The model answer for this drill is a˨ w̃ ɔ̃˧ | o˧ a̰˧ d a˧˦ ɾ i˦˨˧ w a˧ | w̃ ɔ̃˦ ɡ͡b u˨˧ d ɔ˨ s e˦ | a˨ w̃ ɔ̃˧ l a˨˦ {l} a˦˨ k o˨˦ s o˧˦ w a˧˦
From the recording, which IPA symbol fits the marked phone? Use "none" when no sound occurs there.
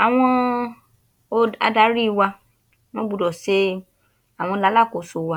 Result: l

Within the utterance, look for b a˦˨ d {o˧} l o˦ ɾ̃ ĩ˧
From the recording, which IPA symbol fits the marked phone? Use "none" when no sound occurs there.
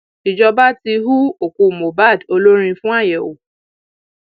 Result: o˧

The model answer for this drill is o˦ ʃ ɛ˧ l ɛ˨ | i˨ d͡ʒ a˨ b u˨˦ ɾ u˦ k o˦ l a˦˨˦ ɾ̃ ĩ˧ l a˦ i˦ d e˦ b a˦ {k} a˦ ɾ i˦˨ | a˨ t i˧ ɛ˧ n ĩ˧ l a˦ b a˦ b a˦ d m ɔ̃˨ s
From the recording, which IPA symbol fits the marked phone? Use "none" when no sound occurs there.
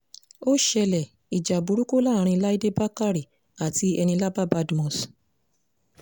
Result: k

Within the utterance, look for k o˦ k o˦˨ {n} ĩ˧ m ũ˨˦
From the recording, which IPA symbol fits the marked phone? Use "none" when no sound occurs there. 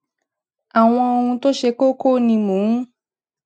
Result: n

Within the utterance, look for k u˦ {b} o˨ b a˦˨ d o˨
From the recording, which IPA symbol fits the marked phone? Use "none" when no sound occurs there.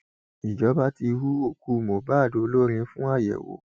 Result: m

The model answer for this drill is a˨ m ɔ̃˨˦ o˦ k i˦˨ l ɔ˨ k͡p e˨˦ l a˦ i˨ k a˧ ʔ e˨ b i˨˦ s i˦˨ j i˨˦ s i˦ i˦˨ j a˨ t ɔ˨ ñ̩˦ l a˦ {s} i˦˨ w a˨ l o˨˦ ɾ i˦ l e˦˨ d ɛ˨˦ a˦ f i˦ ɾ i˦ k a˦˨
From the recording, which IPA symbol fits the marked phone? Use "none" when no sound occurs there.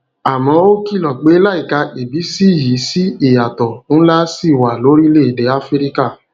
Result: s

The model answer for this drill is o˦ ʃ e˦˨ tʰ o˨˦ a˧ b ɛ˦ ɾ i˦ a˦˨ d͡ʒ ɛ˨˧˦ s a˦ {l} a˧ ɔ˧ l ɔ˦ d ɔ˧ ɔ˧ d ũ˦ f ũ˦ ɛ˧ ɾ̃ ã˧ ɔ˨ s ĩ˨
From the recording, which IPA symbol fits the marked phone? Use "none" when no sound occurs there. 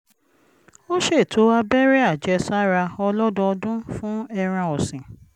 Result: ɾ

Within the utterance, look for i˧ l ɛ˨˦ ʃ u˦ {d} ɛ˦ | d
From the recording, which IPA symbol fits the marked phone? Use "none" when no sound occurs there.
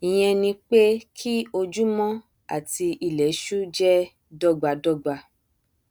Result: d͡ʒ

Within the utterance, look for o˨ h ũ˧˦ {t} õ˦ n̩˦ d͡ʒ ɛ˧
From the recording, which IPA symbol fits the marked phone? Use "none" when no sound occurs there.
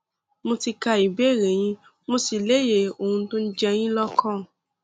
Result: t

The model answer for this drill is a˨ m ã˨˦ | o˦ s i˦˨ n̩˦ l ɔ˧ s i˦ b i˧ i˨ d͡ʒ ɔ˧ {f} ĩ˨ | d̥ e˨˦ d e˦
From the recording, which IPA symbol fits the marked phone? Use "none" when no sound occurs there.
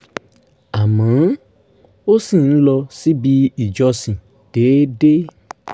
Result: s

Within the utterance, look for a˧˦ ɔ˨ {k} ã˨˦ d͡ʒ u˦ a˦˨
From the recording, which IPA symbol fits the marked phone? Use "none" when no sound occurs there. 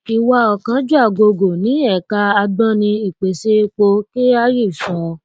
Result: k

